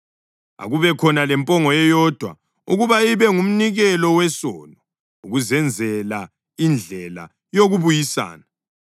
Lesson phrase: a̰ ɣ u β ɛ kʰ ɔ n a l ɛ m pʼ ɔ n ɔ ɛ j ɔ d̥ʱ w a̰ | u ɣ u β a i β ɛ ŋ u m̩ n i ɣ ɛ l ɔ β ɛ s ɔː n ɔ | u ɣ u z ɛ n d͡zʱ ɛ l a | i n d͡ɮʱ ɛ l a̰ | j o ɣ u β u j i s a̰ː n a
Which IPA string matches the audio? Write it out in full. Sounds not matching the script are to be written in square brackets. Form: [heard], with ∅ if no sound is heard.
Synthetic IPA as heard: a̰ ɣ u β ɛ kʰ ɔ n a l ɛ m pʼ ɔ [ŋ] ɔ ɛ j ɔ d̥ʱ w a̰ | u ɣ u β a i β ɛ ŋ u m̩ n i ɣ ɛ l ɔ [w] ɛ s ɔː n ɔ | u ɣ u z ɛ n d͡zʱ ɛ l a | i n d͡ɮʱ ɛ l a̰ | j o ɣ u β u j i s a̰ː n a